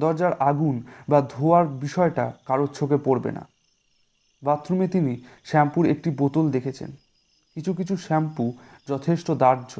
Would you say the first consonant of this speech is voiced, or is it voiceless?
voiced